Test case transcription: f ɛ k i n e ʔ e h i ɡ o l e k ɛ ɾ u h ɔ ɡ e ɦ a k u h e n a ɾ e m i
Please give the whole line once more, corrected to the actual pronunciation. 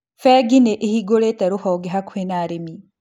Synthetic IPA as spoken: f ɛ ɡ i n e ʔ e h i ɡ o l e t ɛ ɾ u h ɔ ɡ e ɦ a k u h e n a ɾ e m i

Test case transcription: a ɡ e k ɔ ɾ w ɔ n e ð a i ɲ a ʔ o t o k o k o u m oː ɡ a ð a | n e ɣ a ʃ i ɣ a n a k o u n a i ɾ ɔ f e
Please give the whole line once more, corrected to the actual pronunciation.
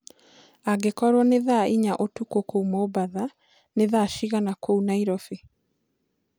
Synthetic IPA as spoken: a ɡ e k ɔ ɾ w ɔ n e ð a i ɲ a ʔ o t u k o k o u m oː b a ð a | n e ð a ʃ i ɣ a n a k o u n a i ɾ ɔ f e

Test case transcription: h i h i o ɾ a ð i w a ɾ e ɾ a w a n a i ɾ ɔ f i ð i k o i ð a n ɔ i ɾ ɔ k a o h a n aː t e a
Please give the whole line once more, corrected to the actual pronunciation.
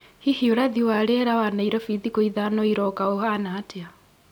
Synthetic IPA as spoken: h i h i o ɾ a ð i w a ɾ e ɾ a w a n a i ɾ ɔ f i ð i k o i ð a n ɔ i ɾ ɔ k a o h a n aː t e a

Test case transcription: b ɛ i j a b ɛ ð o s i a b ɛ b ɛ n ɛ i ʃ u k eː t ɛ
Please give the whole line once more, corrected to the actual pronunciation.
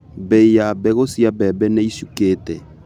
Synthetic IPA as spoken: b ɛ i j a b ɛ ɣ o s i a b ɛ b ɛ n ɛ i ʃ u k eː t ɛ

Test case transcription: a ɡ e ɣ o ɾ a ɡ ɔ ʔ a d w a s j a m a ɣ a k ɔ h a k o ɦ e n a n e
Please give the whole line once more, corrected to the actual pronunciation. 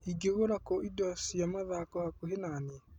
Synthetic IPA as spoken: i ɡ e ɣ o ɾ a k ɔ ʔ i d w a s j a m a ð a k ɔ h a k o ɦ e n a n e

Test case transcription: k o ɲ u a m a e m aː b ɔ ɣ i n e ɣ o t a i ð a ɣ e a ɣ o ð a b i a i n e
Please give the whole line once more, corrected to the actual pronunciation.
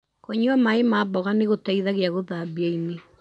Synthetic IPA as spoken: k o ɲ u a m a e m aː b ɔ ɣ a n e ɣ o t a i ð a ɣ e a ɣ o ð a b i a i n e

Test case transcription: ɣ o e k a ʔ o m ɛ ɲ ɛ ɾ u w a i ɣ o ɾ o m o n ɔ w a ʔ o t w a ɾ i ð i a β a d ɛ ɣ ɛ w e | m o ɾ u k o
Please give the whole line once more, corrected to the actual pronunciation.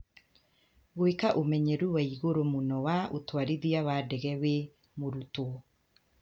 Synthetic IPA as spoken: ɣ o e k a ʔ o m ɛ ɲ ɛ ɾ u w a i ɣ o ɾ o m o n ɔ w a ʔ o t w a ɾ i ð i a w a d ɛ ɣ ɛ w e | m o ɾ u t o

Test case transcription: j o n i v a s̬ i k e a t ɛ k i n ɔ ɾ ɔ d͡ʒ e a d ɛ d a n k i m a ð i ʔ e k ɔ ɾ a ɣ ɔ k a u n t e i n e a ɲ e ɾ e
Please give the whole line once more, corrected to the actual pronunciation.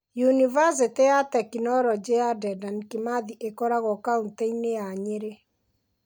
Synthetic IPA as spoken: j u n i v a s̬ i t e a t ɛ k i n ɔ ɾ ɔ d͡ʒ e a d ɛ d a n k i m a ð i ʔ e k ɔ ɾ a ɣ ɔ k a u n t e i n e a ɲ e ɾ e

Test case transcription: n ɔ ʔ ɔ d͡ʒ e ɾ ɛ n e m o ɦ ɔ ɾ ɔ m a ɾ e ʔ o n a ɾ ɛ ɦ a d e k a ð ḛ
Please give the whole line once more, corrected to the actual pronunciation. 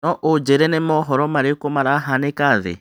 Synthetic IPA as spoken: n ɔ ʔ o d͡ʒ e ɾ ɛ n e m ɔ ɦ ɔ ɾ ɔ m a ɾ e k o m a ɾ a ɦ a n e k a ð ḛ

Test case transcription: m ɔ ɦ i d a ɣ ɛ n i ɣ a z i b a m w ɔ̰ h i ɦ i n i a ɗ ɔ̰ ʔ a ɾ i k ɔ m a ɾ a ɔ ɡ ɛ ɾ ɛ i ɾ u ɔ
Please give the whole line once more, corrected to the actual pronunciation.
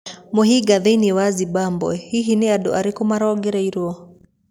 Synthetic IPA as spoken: m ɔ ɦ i ɡ a ð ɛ n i w a z i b a m b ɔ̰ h i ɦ i n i a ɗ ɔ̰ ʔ a ɾ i k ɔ m a ɾ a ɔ ɡ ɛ ɾ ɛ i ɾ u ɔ

